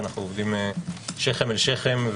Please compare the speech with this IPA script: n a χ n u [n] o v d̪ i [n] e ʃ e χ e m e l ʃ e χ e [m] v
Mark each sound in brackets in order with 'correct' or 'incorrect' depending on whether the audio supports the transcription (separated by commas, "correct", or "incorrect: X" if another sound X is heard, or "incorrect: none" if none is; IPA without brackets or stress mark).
incorrect: none, incorrect: m, correct